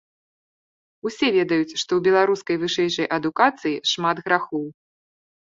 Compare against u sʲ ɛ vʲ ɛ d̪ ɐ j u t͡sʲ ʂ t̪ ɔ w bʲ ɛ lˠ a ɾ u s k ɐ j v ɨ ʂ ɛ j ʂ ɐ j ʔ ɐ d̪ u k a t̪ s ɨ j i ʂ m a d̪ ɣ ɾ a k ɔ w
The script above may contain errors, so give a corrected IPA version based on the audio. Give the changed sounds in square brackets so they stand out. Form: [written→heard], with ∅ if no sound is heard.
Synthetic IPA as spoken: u sʲ ɛ vʲ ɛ d̪ ɐ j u t͡sʲ ʂ t̪ ɔ w bʲ ɛ lˠ a ɾ u s k ɐ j v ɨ ʂ ɛ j ʂ ɐ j ʔ ɐ d̪ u k a t̪ s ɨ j i ʂ m a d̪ ɣ ɾ a [k→x] ɔ w